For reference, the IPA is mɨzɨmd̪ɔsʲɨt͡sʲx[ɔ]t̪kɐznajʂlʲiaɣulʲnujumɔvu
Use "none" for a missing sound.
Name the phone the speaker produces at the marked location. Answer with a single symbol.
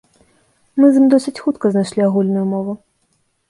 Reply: u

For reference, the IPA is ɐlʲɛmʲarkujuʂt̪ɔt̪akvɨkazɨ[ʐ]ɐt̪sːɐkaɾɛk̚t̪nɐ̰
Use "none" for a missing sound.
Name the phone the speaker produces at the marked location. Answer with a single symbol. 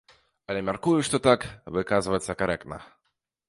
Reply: v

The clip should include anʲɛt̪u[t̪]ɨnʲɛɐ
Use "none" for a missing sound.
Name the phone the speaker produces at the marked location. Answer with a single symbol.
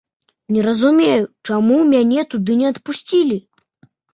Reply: d̪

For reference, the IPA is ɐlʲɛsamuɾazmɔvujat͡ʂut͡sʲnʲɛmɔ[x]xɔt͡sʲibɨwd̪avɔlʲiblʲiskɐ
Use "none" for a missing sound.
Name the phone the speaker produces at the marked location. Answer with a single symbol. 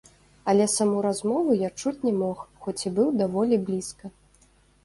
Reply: x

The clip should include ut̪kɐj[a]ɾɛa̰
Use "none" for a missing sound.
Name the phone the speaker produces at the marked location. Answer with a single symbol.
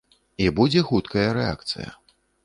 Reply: ɐ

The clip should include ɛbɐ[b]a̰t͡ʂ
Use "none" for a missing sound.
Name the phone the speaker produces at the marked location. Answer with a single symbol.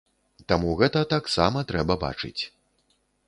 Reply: b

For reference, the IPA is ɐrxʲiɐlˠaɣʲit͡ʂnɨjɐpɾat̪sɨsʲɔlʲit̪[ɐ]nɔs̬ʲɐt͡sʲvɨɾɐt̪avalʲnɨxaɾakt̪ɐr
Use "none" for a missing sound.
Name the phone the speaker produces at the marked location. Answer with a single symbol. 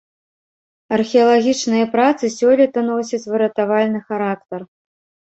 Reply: ɐ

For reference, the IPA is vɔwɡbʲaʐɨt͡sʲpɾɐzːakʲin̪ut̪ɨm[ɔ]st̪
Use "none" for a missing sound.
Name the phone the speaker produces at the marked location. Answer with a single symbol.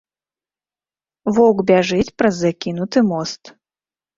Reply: ɔ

